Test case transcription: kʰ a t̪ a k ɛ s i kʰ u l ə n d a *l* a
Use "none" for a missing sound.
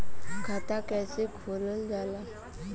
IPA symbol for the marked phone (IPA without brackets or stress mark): l